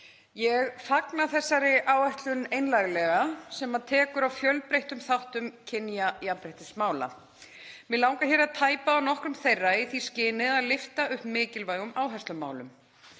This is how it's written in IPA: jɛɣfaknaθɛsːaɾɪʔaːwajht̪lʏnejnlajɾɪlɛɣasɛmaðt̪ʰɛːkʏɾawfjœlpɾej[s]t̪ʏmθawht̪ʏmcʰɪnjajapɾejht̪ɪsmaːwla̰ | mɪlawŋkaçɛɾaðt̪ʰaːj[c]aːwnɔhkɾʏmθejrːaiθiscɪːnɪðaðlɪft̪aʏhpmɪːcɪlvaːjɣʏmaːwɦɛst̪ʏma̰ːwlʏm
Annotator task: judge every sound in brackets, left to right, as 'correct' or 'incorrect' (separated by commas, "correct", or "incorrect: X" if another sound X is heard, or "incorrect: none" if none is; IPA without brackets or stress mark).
incorrect: h, incorrect: p